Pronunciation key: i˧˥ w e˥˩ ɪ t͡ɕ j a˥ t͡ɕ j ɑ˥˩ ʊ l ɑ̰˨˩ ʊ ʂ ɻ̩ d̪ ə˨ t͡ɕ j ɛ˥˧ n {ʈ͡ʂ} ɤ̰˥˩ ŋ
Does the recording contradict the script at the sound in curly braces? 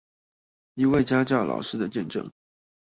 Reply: no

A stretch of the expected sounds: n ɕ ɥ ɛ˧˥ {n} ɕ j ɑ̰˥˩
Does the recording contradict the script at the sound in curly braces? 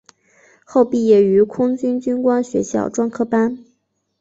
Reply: yes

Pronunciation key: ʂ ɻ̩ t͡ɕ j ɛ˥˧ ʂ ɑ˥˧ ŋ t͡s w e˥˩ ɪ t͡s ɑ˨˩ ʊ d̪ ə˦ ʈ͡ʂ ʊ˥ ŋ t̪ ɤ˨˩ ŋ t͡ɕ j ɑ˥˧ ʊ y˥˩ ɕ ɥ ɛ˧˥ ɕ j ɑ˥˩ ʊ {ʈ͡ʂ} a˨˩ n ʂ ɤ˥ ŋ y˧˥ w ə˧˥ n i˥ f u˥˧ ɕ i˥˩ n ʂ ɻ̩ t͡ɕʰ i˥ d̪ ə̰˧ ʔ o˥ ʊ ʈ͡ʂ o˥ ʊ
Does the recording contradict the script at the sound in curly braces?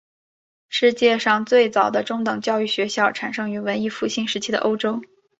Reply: yes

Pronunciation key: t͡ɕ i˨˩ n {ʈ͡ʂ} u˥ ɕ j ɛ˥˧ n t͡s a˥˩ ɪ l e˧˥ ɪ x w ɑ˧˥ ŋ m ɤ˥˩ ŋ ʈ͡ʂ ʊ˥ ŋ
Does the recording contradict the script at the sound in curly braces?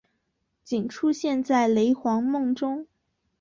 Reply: yes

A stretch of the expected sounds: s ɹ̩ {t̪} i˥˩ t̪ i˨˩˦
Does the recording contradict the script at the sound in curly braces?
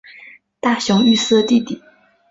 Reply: no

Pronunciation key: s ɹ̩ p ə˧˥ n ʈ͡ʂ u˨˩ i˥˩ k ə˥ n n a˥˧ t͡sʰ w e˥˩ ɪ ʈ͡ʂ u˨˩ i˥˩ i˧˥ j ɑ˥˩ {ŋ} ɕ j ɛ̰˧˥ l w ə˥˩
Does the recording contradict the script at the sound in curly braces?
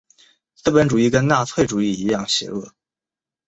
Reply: no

